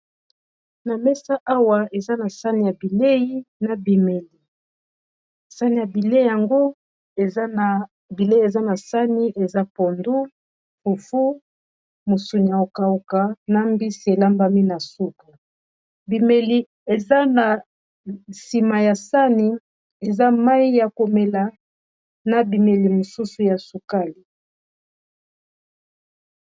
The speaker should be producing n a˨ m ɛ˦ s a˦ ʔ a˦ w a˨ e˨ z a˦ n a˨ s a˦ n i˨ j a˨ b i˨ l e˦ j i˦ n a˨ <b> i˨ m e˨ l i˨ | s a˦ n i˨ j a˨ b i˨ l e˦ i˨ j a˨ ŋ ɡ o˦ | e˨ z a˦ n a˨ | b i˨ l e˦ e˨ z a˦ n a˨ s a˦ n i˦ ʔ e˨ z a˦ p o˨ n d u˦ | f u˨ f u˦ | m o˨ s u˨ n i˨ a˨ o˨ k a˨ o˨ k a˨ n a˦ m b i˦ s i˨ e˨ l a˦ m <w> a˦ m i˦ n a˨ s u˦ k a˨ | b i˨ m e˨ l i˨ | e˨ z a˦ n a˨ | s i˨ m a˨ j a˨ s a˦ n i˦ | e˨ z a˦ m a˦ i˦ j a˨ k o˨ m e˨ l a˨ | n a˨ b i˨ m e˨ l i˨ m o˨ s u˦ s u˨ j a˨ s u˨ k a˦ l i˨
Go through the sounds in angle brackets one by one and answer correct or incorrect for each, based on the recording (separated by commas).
correct, incorrect